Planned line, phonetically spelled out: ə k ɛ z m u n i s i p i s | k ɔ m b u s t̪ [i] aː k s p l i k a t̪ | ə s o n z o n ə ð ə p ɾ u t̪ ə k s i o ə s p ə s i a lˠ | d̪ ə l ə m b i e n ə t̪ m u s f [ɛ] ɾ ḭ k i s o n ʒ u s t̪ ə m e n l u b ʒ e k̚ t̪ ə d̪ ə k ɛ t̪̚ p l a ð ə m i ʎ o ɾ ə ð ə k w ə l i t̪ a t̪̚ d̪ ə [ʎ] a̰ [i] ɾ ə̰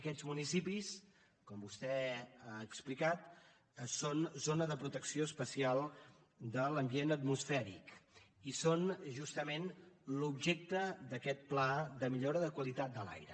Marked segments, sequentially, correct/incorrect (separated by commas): incorrect, correct, incorrect, incorrect